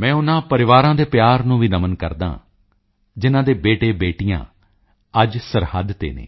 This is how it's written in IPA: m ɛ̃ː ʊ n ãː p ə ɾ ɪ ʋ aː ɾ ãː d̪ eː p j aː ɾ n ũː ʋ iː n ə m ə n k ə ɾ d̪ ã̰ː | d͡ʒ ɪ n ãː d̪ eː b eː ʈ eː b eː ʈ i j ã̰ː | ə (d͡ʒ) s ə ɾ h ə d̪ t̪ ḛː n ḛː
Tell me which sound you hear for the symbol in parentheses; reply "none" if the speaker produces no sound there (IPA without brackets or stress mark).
d͡ʒ